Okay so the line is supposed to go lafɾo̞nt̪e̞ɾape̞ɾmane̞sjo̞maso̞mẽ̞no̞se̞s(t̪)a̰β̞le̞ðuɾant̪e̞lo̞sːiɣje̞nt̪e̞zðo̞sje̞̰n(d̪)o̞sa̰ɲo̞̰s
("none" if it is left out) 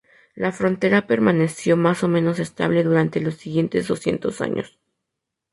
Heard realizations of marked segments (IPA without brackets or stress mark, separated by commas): t̪, t̪